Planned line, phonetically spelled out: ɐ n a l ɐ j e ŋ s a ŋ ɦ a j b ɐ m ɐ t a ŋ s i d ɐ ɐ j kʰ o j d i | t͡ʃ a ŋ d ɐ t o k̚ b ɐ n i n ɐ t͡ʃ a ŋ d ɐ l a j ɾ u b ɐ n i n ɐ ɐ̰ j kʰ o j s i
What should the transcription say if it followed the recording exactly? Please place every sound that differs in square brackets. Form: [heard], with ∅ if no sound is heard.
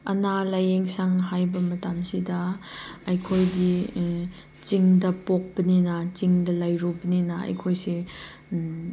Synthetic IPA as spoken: ɐ n a l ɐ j e ŋ s a ŋ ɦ a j b ɐ m ɐ t a [m] s i d ɐ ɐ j kʰ o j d i | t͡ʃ [i] ŋ d ɐ [p] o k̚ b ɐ n i n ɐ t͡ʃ [i] ŋ d ɐ l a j ɾ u b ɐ n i n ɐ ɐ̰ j kʰ o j s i